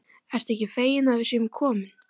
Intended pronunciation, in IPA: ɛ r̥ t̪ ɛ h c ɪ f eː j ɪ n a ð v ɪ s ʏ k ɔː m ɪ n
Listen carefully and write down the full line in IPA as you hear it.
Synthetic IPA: ɛ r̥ t̪ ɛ h c ɪ f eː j ɪ n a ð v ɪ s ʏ kʰ ɔː m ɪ n